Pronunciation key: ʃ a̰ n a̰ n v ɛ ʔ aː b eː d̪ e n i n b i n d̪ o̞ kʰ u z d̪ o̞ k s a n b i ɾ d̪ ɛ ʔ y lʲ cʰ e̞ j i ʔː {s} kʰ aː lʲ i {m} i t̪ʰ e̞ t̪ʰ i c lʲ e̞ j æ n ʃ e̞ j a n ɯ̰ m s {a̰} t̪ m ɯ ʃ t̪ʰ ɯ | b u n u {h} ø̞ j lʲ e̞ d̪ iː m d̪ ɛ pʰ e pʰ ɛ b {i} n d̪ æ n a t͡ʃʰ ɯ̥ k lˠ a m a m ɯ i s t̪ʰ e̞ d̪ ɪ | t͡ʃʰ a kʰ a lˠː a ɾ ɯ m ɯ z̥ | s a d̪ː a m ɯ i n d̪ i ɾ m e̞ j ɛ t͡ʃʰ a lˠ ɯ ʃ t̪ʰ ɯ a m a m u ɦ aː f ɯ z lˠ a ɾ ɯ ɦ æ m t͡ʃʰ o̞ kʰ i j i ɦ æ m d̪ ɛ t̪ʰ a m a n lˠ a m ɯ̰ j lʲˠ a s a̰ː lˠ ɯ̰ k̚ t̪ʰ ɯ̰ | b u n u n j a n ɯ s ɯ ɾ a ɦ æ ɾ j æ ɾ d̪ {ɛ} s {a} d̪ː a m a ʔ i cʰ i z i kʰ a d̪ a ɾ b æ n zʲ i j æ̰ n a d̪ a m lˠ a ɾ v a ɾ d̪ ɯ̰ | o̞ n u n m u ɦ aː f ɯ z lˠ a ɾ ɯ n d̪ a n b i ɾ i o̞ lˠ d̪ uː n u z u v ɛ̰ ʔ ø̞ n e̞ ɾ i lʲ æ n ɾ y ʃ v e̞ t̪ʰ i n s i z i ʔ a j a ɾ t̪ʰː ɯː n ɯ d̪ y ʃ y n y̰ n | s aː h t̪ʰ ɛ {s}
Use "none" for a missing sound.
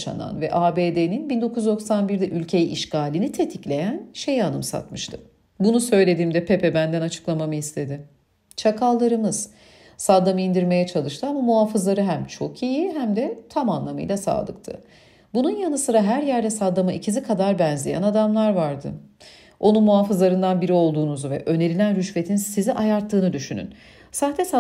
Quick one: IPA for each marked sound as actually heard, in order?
ʃ, n, a̰, s, æ, ɛ, a, s

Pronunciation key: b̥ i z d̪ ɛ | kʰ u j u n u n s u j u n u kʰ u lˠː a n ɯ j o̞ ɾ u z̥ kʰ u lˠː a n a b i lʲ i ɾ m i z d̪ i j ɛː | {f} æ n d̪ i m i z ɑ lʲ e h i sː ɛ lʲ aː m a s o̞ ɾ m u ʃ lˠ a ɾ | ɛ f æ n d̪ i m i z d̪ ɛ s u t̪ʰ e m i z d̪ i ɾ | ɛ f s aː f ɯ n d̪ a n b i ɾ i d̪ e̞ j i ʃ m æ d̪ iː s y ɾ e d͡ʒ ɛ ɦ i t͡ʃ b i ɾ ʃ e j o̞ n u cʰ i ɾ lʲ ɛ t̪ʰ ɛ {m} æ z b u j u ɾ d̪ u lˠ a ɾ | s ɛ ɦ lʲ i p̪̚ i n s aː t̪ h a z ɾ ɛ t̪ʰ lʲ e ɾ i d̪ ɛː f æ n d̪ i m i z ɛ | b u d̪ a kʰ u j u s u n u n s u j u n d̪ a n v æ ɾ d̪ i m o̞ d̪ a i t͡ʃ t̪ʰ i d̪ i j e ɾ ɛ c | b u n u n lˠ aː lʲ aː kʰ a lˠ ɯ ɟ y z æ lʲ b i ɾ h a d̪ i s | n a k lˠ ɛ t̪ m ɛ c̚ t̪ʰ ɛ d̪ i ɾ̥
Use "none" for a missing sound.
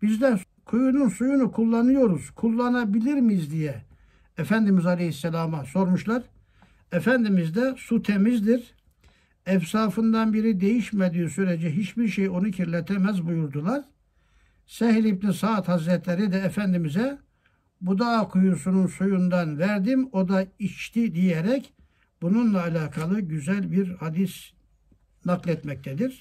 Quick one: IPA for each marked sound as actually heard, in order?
f, m

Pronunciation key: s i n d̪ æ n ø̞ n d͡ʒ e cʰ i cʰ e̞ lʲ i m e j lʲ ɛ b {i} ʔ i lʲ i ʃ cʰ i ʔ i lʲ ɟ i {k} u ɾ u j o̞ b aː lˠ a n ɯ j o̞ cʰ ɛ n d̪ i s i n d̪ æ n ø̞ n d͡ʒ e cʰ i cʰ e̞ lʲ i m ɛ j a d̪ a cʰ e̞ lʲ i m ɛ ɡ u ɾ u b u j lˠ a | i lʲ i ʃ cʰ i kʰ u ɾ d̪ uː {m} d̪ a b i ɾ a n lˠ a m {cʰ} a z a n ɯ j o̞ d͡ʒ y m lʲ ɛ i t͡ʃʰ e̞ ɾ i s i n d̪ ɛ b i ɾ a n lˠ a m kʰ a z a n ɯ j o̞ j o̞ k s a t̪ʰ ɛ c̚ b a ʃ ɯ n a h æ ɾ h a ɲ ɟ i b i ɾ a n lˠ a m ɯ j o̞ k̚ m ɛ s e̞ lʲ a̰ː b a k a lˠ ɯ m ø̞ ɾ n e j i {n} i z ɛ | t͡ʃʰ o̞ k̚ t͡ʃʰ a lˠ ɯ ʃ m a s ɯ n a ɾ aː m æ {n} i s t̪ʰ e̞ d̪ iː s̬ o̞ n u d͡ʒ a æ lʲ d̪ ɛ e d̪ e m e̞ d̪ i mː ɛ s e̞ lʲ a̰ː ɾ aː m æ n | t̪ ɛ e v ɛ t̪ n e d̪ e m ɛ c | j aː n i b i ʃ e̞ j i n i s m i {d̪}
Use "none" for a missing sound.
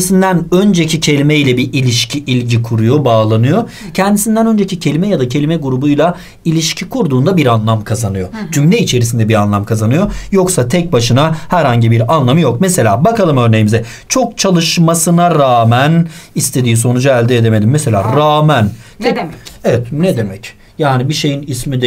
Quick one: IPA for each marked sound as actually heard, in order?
i, kʰ, n, kʰ, m, n, d̪

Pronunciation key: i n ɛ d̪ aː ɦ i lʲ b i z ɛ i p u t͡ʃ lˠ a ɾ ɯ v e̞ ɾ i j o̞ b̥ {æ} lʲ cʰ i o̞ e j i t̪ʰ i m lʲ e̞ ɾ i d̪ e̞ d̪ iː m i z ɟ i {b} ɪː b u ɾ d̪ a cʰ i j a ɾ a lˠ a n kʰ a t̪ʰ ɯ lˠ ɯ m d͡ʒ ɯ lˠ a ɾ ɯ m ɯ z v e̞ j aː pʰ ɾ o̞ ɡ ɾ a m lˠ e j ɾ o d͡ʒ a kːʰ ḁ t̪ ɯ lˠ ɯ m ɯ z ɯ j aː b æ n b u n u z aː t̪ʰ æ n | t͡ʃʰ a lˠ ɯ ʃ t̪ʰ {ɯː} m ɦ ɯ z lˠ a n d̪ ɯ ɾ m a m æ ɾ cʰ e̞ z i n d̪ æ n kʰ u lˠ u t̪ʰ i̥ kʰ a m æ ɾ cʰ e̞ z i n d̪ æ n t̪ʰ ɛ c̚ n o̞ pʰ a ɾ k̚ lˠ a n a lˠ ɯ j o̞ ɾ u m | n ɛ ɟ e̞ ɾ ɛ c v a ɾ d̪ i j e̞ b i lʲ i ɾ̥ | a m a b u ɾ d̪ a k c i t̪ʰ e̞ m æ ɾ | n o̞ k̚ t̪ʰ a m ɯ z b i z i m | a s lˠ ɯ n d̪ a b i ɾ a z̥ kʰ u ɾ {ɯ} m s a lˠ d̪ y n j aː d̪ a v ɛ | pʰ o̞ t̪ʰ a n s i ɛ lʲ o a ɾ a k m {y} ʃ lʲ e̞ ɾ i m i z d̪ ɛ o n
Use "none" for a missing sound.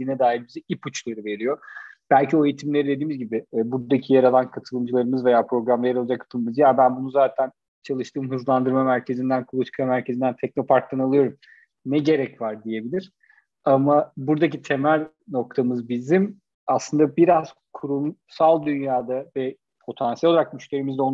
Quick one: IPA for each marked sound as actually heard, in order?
æ, b, ɯː, u, y

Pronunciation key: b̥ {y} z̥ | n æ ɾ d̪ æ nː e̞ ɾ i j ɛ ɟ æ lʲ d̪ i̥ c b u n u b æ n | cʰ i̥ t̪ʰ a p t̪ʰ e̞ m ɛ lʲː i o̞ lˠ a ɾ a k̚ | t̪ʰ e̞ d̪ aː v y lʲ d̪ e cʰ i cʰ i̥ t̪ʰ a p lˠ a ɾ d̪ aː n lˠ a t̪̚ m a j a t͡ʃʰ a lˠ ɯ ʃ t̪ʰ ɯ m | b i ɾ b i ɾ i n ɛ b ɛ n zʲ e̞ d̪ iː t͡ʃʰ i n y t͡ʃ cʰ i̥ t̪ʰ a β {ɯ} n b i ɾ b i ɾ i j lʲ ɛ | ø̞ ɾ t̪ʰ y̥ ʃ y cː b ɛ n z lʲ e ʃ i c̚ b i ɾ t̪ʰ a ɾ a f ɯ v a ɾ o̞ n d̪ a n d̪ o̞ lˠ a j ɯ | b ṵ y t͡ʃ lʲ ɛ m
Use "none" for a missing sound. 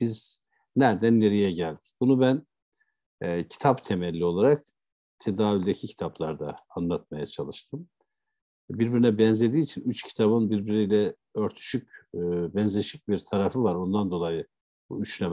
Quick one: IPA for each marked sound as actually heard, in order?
i, ɯ

